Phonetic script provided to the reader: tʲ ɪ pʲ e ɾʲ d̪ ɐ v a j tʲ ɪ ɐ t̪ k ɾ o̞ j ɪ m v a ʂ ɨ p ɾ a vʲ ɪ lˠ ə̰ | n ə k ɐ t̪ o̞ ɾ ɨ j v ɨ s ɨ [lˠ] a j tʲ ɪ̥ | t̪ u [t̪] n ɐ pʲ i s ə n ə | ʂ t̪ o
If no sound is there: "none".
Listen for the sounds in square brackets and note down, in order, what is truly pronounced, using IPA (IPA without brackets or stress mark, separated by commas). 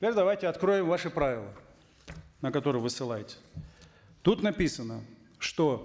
lˠ, t̪